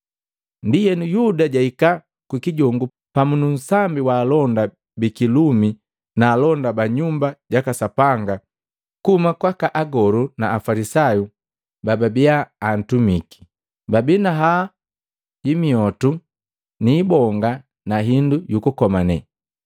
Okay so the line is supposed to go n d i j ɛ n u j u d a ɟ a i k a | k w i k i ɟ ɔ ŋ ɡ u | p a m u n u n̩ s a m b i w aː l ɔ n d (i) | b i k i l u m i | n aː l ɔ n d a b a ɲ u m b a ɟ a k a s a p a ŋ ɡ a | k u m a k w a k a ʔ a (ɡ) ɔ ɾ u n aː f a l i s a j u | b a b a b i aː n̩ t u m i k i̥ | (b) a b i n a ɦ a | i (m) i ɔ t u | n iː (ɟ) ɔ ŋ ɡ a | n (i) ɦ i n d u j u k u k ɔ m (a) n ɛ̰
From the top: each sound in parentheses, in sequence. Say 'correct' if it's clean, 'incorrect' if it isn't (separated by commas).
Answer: incorrect, correct, correct, correct, incorrect, incorrect, correct